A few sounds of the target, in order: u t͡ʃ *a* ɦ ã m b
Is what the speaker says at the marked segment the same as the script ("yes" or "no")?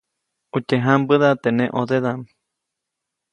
no